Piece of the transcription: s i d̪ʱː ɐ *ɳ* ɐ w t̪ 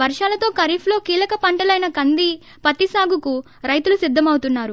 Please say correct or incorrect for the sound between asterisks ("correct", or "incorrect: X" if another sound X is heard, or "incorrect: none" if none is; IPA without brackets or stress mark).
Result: incorrect: m